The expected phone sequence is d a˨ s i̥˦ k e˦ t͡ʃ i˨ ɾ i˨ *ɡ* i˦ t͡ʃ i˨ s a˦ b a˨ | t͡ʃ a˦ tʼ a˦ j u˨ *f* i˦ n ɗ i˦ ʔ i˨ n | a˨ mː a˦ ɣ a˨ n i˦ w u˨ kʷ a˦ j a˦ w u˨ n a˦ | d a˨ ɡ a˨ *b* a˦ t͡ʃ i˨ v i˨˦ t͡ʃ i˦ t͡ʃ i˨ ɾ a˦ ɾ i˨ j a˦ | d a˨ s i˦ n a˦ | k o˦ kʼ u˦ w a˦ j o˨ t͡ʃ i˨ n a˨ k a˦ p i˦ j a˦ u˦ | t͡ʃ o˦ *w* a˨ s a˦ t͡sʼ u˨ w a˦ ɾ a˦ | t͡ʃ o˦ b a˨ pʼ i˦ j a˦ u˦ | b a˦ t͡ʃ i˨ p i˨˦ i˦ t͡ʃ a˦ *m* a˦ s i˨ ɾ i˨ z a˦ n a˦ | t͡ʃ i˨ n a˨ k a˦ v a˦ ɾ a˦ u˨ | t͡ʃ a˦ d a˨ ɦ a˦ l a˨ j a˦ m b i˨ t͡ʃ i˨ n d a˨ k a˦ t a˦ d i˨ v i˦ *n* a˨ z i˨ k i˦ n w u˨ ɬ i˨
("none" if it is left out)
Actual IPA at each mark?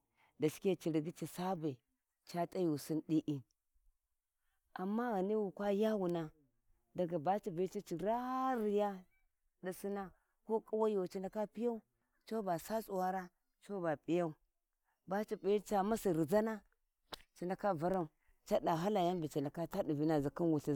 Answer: ɡ, s, b, b, m, n

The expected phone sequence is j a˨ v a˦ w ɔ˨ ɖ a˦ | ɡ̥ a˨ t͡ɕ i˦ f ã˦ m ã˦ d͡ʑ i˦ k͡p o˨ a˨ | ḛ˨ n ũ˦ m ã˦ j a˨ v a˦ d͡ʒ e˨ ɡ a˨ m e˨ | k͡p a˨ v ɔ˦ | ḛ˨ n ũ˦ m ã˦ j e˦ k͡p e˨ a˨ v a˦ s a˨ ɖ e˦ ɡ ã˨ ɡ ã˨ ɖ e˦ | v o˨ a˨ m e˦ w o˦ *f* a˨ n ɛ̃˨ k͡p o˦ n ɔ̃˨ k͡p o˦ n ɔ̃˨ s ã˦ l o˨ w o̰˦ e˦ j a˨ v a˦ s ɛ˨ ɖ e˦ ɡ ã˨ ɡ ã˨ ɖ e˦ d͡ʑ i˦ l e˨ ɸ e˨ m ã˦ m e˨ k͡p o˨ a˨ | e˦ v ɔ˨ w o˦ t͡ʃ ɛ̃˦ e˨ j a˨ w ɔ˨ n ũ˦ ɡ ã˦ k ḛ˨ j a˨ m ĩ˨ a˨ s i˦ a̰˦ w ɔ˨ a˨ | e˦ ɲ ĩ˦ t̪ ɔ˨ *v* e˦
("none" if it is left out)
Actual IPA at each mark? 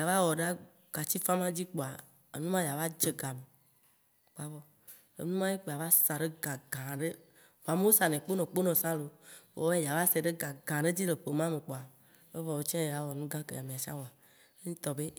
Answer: s, b

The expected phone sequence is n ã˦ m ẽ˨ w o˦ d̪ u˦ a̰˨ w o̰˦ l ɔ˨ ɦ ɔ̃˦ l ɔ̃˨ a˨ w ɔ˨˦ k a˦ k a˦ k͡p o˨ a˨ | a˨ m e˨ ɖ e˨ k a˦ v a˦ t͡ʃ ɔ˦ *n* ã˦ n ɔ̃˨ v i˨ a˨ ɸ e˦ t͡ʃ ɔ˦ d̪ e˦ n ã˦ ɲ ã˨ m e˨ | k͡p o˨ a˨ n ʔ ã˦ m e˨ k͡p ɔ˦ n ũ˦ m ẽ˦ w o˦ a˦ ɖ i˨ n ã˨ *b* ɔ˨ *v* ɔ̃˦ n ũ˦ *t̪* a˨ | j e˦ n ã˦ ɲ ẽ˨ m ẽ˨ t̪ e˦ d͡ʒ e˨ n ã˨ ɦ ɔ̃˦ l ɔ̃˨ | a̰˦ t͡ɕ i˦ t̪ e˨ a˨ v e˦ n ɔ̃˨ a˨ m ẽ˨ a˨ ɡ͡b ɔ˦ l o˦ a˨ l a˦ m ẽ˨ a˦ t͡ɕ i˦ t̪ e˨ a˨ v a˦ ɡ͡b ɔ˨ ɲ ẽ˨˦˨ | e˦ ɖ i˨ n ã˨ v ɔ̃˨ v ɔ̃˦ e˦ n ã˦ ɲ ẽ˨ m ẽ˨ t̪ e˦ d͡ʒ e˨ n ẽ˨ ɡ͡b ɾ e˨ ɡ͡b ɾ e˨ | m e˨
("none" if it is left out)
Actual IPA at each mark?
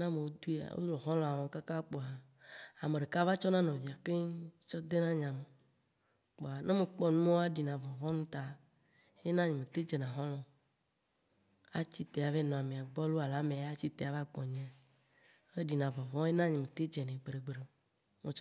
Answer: n, v, v, t̪

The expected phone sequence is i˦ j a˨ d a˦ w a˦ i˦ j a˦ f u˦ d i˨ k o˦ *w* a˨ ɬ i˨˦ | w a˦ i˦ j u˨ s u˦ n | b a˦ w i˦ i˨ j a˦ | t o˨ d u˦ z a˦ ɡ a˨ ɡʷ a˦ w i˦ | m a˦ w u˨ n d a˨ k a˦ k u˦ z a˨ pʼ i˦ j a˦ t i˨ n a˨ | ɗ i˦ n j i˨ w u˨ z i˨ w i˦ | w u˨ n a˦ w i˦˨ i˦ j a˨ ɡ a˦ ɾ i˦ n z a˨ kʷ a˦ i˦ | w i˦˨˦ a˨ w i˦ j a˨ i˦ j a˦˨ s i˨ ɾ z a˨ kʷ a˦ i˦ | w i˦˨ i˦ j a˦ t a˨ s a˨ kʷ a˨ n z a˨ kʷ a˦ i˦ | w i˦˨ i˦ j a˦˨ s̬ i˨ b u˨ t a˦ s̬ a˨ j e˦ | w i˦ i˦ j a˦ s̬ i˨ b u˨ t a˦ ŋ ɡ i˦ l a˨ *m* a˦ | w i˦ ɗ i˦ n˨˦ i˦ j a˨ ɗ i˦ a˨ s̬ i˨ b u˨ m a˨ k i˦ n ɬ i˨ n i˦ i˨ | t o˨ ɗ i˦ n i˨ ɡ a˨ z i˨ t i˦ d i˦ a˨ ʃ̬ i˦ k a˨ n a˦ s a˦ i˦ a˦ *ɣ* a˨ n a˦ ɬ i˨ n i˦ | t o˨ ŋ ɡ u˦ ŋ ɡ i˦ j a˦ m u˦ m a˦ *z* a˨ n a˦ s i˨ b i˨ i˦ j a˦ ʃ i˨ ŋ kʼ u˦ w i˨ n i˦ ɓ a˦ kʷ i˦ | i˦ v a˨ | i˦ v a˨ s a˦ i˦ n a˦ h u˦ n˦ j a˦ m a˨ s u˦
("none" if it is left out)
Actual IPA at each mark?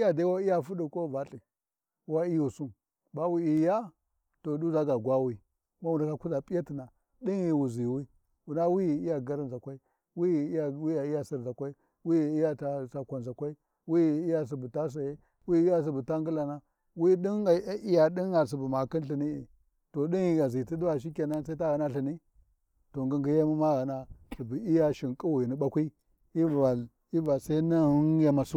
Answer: v, n, ɣ, ɣ

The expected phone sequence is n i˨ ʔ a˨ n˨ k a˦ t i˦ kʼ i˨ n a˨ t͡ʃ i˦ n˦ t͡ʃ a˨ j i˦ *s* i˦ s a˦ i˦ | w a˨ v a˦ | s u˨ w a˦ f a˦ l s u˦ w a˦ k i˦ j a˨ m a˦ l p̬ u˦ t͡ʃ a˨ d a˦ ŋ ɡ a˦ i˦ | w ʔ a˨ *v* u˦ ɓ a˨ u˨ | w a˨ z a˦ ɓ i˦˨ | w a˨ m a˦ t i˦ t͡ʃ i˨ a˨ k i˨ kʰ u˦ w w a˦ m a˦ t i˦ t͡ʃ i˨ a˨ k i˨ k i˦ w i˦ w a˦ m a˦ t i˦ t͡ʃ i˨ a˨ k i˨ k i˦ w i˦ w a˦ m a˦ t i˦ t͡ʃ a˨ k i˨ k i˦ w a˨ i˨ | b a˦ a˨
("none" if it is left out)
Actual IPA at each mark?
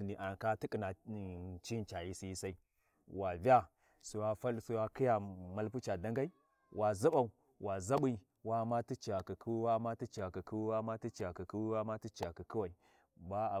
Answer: s, z

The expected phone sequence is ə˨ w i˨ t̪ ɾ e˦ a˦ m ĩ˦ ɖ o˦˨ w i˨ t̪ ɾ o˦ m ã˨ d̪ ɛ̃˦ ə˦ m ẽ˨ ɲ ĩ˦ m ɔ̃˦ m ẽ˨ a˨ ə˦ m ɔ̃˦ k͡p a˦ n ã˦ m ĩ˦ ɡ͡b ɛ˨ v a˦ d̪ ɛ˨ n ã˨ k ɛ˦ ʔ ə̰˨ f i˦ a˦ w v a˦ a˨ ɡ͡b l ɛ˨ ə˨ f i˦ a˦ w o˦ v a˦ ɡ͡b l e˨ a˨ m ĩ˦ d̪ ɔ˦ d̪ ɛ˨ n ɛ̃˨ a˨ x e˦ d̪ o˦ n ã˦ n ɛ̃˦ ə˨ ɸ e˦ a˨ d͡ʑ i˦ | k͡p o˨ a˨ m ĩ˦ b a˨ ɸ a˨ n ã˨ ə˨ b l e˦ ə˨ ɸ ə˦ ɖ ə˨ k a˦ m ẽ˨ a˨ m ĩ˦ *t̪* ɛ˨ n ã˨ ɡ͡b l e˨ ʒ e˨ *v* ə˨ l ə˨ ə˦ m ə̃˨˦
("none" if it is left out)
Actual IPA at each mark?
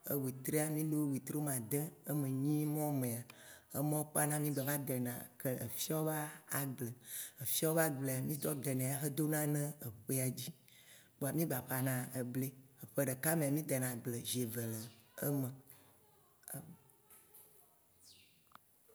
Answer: d̪, v

